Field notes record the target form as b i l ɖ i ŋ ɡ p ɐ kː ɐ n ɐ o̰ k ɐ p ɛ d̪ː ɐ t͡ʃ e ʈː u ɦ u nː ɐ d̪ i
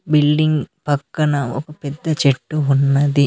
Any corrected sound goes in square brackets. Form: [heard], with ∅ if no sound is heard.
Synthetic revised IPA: b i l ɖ i ŋ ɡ p ɐ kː ɐ n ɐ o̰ k ɐ p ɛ d̪ː ɐ t͡ʃ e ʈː u ɦ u nː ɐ d̪ i